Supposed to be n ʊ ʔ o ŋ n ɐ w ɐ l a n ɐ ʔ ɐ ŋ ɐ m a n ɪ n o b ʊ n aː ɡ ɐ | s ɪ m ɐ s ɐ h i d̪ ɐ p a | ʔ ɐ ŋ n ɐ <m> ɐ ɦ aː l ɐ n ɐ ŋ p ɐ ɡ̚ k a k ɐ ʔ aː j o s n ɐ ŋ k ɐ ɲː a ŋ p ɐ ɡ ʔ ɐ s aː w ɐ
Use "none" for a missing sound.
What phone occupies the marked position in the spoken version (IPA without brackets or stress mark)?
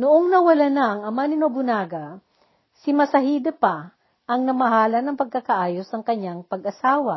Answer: m